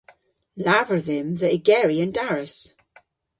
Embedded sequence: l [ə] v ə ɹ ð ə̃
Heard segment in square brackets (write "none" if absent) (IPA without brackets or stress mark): a